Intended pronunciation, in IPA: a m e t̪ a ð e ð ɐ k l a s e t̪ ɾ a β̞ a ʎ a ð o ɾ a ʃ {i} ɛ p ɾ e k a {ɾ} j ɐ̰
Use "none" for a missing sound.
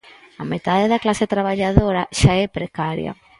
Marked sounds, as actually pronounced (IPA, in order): a, ɾ

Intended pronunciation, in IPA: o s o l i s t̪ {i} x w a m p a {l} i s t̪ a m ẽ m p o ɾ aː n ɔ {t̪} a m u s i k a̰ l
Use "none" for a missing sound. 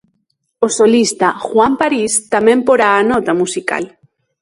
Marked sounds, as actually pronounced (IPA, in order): a, ɾ, t̪

